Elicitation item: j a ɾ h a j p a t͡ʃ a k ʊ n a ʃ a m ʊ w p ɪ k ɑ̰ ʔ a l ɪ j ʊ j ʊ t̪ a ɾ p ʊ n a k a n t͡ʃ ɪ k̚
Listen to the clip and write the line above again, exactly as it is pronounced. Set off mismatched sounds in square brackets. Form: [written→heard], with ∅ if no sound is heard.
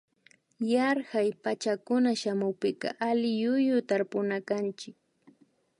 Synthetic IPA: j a ɾ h a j p a t͡ʃ a k ʊ n a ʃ a m ʊ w p ɪ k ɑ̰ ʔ a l ɪ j ʊ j ʊ t̪ a ɾ p ʊ n a k a n t͡ʃ ɪ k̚